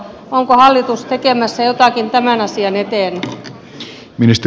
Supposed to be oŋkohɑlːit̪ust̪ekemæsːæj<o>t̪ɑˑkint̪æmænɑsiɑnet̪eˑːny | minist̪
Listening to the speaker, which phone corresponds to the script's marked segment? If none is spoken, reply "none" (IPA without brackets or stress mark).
o